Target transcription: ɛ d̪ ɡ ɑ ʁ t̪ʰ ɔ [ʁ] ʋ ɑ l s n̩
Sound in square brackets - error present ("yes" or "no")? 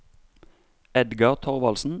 no